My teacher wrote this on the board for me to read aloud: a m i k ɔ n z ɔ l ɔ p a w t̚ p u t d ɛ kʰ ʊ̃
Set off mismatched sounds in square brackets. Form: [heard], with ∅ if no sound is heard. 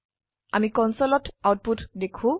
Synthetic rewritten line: a m i k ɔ n [s] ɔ l ɔ [t] a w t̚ p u t d [e] kʰ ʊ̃